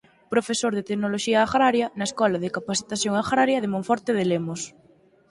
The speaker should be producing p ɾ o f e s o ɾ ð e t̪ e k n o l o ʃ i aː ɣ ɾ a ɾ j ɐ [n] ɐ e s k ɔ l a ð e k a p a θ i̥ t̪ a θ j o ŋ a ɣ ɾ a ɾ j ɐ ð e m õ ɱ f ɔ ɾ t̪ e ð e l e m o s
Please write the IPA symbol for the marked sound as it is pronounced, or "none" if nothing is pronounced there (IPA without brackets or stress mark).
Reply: n